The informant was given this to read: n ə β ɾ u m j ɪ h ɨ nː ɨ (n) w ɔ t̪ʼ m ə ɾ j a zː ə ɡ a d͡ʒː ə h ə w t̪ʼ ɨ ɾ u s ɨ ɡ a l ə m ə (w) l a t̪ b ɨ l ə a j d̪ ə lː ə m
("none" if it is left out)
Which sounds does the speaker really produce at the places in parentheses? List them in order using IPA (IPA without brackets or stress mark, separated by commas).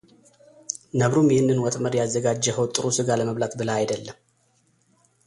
n, β